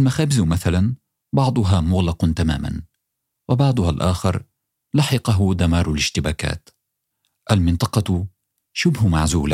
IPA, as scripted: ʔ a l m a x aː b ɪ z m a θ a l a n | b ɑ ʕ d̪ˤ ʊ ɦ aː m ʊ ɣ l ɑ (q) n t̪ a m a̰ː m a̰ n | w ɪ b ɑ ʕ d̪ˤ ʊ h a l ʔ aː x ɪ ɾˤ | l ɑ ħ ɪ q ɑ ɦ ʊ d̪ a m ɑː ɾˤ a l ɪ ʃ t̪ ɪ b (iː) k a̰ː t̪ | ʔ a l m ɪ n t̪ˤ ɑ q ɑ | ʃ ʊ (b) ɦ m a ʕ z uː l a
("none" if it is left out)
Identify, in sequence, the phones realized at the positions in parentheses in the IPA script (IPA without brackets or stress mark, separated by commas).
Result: q, aː, b